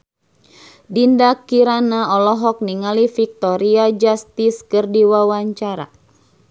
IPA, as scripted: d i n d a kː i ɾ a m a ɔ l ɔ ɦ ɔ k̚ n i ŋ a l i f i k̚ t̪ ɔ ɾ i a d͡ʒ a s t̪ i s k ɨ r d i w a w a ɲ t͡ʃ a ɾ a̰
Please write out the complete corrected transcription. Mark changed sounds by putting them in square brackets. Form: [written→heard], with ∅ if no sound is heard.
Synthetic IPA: d i n d a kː i ɾ a [m→n] a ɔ l ɔ ɦ ɔ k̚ n i ŋ a l i f i k̚ t̪ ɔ ɾ i a d͡ʒ a s t̪ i s k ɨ r d i w a w a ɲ t͡ʃ a ɾ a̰